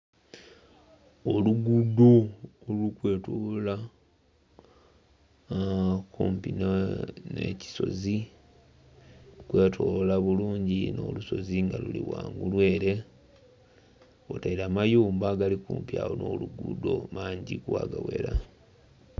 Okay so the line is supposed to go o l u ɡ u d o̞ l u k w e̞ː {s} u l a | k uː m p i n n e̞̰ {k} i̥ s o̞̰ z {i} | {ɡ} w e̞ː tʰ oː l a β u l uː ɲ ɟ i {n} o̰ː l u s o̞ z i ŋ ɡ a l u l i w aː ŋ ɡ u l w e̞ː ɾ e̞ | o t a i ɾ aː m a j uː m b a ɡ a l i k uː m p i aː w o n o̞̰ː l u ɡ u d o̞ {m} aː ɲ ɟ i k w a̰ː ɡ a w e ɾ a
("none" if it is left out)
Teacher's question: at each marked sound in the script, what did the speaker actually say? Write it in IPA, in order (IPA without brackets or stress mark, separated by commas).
t, c, i, k, n, m